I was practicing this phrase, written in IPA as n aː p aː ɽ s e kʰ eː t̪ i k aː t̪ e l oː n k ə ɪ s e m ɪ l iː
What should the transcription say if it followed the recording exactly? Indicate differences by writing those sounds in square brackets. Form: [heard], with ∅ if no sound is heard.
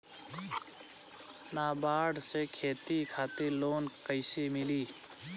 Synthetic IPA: n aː [b] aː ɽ s e kʰ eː t̪ i [kʰ] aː t̪ e l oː n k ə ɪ s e m ɪ l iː